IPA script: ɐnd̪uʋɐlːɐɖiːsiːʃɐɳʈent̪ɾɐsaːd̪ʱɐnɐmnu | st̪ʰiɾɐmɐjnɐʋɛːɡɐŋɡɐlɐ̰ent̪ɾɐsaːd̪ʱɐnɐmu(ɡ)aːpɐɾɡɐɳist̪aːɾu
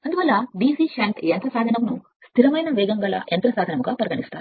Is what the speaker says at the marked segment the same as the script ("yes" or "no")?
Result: yes